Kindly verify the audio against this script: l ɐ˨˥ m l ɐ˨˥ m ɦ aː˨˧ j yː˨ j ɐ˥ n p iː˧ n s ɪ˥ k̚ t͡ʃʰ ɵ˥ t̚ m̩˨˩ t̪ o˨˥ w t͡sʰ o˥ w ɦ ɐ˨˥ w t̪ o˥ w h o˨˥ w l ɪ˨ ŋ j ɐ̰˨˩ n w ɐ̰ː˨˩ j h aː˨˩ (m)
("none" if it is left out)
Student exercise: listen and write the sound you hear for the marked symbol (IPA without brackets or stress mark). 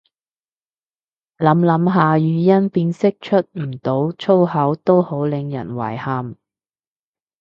m